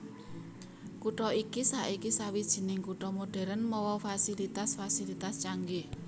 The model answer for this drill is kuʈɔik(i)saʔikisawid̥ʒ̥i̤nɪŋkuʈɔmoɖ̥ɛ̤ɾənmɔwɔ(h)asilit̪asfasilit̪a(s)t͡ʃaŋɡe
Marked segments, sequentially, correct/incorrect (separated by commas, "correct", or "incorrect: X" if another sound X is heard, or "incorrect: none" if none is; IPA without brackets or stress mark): correct, incorrect: f, correct